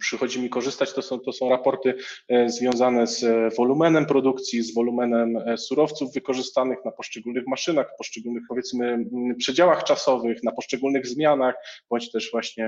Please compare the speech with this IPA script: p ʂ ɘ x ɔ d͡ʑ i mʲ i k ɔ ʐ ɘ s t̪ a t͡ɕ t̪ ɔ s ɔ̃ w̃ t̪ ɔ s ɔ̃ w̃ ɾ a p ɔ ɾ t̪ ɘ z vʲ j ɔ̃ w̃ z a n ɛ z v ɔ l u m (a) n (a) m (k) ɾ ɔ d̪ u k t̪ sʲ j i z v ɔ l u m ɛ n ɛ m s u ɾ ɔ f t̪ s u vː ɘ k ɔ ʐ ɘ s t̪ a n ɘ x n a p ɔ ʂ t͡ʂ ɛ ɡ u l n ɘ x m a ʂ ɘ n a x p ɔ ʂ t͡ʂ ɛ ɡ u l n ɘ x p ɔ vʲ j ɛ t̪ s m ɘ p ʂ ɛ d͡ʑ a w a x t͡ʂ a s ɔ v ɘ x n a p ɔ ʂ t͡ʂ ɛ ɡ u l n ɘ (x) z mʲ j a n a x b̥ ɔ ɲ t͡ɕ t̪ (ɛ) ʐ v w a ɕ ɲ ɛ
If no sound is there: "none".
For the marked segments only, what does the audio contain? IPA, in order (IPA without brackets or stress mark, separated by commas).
ɛ, ɛ, p, ɣ, ɛ